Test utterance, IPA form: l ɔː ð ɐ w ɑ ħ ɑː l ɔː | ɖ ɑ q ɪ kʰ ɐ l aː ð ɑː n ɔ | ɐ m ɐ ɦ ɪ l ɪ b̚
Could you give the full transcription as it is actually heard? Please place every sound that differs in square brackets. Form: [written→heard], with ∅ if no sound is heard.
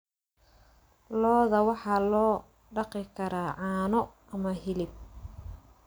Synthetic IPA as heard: l ɔː ð ɐ w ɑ ħ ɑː l ɔː | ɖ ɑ q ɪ kʰ ɐ [l→ɾ] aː [ð→ʕ] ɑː n ɔ | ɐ m ɐ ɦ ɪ l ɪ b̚